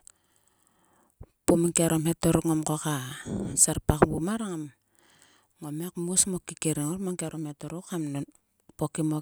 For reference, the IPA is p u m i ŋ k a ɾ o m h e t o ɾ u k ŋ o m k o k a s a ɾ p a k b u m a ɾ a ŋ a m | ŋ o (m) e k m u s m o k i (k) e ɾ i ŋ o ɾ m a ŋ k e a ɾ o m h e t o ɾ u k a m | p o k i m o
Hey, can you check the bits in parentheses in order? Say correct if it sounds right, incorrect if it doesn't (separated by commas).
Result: correct, correct